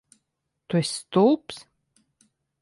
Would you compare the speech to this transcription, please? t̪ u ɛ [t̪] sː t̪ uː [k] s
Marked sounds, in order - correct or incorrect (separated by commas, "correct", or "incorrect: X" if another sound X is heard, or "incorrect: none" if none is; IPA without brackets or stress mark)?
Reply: incorrect: none, incorrect: p